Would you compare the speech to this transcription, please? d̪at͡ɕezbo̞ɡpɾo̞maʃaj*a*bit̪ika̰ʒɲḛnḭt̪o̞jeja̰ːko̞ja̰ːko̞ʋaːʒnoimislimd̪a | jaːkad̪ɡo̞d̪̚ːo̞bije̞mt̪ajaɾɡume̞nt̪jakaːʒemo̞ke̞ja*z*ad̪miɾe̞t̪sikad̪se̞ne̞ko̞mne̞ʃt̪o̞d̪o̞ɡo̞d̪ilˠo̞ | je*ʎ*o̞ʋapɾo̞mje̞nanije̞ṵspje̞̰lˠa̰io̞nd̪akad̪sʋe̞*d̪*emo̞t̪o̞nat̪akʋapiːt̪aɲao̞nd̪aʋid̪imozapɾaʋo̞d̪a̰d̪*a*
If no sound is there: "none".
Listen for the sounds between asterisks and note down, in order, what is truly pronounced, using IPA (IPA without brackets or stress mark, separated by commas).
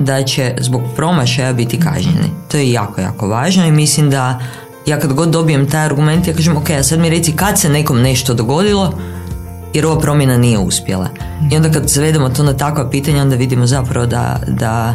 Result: a, s, ɾ, d̪, a